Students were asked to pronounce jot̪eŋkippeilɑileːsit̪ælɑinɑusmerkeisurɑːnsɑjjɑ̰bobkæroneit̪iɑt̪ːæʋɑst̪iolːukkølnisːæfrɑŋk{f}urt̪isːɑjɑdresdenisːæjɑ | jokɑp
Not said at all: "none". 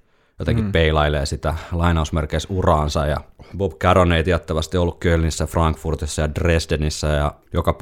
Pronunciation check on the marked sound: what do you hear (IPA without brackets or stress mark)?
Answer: f